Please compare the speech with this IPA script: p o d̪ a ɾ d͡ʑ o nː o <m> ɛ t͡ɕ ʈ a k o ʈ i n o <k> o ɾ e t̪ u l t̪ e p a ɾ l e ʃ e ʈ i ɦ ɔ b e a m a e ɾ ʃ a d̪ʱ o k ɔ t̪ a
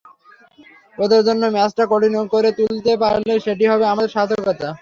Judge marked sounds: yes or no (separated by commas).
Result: yes, yes